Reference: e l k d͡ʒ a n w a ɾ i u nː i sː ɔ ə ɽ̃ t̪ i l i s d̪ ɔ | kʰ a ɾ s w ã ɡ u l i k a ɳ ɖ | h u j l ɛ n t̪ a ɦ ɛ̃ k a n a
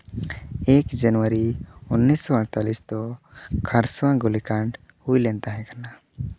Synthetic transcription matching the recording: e k d͡ʒ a n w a ɾ i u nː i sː ɔ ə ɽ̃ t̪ a l i s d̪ ɔ | kʰ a ɾ s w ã ɡ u l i k a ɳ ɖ | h u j l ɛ n t̪ a ɦ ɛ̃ k a n a